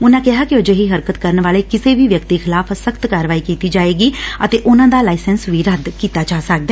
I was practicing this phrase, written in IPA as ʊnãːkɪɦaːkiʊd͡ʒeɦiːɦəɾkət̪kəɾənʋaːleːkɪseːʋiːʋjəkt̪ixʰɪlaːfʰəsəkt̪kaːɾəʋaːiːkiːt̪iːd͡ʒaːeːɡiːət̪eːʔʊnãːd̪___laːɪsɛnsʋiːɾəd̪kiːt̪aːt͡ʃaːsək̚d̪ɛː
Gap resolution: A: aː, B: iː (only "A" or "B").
A